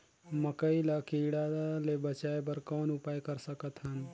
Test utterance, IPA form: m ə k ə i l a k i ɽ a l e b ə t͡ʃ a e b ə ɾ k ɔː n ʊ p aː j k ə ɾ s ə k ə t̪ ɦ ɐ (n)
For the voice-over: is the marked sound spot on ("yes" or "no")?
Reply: yes